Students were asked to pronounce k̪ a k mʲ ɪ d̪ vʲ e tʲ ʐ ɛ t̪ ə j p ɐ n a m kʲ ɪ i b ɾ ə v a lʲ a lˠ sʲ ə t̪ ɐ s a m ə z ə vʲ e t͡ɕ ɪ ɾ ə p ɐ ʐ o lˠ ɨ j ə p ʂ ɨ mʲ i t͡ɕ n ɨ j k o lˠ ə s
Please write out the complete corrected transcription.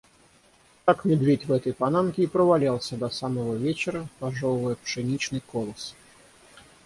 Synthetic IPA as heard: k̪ a k mʲ ɪ d̪ vʲ e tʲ v ɛ t̪ ə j p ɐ n a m kʲ ɪ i p ɾ ə v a lʲ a lˠ sʲ ə d̪ ɐ s a m ə v ə vʲ e t͡ɕ ɪ ɾ ə p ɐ ʐ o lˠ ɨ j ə p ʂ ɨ nʲ i t͡ɕ n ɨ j k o lˠ ə s